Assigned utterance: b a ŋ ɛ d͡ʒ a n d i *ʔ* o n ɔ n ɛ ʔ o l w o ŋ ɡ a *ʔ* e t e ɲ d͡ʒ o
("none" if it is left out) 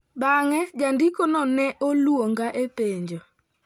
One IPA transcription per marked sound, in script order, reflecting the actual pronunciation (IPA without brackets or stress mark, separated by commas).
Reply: k, ʔ